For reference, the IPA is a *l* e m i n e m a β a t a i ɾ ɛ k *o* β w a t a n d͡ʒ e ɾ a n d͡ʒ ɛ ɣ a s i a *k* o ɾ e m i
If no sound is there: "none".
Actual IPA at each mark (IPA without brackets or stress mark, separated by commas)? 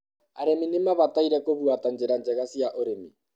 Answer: ɾ, o, ʔ